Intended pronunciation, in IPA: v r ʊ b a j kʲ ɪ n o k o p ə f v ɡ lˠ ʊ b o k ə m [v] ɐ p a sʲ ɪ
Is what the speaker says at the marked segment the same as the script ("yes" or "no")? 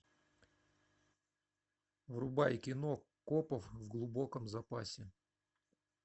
no